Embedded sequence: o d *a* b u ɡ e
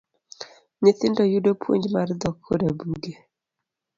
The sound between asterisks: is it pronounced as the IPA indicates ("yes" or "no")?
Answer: yes